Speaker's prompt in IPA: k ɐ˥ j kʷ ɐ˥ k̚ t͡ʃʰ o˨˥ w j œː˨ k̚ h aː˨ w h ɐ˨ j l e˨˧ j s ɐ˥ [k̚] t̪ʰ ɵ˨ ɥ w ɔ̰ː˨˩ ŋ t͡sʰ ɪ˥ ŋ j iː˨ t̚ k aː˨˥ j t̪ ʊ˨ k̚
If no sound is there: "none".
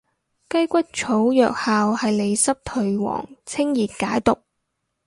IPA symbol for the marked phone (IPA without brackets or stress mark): p̚